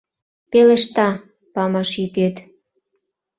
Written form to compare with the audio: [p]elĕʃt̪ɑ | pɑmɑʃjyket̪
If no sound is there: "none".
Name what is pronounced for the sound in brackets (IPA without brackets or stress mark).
p